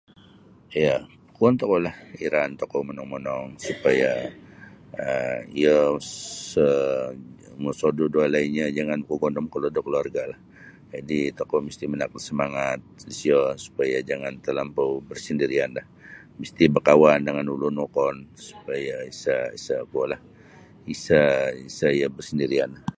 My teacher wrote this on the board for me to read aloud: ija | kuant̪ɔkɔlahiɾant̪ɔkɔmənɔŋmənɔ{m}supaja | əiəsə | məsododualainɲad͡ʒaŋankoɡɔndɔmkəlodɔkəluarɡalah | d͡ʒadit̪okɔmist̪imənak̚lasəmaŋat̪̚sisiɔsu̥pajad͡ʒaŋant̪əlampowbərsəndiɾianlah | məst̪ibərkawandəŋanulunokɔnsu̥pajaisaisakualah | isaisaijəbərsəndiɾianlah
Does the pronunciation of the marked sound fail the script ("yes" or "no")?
yes